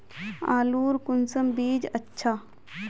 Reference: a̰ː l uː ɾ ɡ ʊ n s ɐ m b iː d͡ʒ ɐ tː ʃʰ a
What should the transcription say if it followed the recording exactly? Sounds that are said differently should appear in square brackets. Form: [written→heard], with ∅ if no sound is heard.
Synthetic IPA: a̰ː l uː ɾ [ɡ→k] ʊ n s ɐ m b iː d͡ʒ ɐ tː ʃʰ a

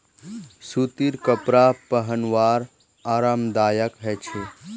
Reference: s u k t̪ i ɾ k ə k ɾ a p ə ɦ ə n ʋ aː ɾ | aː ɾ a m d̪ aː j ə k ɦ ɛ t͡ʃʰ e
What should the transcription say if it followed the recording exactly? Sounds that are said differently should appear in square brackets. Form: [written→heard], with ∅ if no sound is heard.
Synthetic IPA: s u [k→∅] t̪ i ɾ k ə [k→p] ɾ a p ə ɦ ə n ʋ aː ɾ | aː ɾ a m d̪ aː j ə k ɦ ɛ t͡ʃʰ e

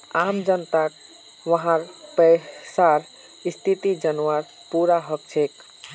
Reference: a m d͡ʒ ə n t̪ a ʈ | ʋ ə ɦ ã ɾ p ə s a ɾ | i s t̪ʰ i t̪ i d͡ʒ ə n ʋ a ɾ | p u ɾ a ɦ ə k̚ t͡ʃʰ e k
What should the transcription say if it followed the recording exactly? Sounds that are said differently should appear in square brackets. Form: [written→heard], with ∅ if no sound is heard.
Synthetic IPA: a m d͡ʒ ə n t̪ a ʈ | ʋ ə ɦ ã ɾ p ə s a ɾ | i s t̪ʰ i t̪ i d͡ʒ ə n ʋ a ɾ | p u ɾ a ɦ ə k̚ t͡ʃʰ e k

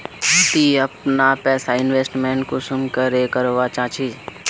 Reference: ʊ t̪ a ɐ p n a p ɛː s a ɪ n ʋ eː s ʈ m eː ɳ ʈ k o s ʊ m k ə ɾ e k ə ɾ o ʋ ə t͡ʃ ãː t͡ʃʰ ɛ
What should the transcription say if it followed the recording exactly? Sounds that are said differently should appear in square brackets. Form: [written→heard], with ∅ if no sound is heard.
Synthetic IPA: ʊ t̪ [a→i] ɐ p n a p ɛː s a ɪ n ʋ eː s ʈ m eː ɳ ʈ k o s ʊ m k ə ɾ e k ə ɾ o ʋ [ə→a] t͡ʃ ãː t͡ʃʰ [ɛ→i]

